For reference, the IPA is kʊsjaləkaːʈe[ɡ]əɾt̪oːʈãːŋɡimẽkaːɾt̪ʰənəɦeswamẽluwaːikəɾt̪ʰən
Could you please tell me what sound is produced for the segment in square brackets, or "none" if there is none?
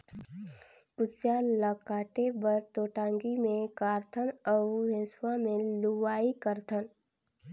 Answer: b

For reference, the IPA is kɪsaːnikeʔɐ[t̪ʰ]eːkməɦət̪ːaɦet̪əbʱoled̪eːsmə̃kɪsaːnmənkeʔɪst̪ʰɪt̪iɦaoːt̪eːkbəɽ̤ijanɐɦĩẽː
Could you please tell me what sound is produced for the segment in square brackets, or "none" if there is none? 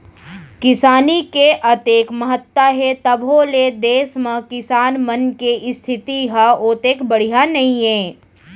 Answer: t̪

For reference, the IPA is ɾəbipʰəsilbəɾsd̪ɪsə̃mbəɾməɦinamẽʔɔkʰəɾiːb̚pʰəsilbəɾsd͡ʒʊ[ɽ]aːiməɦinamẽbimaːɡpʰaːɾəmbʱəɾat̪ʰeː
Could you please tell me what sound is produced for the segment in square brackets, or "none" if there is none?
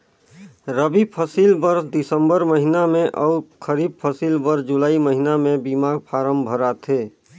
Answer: l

